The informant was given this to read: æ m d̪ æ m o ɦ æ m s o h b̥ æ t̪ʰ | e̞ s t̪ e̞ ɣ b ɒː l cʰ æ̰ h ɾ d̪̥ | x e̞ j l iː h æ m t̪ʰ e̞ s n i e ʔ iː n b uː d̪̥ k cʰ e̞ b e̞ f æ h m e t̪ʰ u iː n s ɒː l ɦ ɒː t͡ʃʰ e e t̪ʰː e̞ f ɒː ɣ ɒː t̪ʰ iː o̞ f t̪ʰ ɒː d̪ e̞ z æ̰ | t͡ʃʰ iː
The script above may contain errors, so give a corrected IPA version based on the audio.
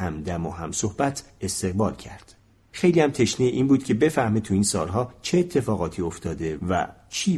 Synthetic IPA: æ m d̪ æ m o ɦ æ m s o h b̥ æ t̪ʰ | e̞ s t̪ e̞ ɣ b ɒː l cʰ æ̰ ɾ d̪̥ | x e̞ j l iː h æ m t̪ʰ e̞ ʃ n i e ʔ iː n b uː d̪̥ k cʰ e̞ b e̞ f æ h m e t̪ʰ u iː n s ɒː l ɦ ɒː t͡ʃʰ e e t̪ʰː e̞ f ɒː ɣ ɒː t̪ʰ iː o̞ f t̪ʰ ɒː d̪ e̞ v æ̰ | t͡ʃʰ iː